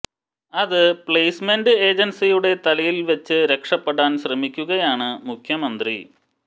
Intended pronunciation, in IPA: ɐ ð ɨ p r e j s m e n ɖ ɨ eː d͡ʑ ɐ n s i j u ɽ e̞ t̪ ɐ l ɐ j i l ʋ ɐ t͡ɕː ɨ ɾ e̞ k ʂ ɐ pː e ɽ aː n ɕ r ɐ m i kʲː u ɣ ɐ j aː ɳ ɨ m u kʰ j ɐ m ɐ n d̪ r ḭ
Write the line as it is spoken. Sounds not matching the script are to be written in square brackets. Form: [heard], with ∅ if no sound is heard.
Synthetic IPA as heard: ɐ ð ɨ p [ɭ] e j s m e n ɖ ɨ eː d͡ʑ ɐ n s i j u ɽ e̞ t̪ ɐ l ɐ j i l ʋ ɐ t͡ɕː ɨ ɾ e̞ k ʂ ɐ pː e ɽ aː n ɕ r ɐ m i kʲː u ɣ ɐ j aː ɳ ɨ m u kʰ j ɐ m ɐ n d̪ r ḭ